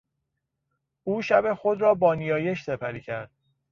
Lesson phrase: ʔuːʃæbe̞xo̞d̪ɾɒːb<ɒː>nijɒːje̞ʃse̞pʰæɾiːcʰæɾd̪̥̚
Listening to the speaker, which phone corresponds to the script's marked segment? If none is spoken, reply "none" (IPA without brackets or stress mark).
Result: ɒː